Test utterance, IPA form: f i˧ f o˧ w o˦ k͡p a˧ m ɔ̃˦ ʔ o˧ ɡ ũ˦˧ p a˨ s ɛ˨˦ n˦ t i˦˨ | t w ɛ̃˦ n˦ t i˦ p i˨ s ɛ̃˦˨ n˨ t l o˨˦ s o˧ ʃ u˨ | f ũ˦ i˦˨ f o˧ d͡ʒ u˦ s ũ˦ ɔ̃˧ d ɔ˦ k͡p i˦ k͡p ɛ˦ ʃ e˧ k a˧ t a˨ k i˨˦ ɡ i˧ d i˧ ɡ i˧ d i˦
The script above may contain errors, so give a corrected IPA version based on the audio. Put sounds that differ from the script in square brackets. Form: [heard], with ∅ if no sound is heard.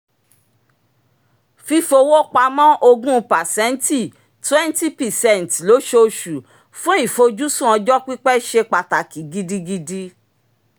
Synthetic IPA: f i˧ f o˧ w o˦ k͡p a˧ m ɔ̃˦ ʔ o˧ ɡ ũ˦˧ p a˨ s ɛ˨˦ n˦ t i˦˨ | t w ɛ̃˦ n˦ t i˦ p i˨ s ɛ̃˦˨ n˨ t l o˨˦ [ʃ] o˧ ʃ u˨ | f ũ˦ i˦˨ f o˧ d͡ʒ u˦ s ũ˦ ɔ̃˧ [d͡ʒ] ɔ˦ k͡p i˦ k͡p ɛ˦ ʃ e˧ [k͡p] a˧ t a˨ k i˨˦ ɡ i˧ d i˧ ɡ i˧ d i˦